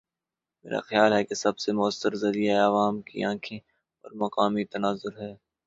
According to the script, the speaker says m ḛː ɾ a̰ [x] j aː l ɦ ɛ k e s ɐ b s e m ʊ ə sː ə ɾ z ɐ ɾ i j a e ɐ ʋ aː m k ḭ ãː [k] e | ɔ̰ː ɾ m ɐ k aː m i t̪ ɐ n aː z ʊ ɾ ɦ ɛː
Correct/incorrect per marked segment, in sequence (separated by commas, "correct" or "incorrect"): correct, incorrect